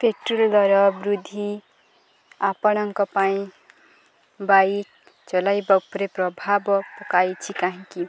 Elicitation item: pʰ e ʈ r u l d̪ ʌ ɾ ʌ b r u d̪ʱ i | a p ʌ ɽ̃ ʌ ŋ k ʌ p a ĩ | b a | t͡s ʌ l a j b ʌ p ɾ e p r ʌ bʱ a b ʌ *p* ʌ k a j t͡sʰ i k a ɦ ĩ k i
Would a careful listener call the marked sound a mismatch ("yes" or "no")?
no